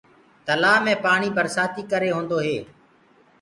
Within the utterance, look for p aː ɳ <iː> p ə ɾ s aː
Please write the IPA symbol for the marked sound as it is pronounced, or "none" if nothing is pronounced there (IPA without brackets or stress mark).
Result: iː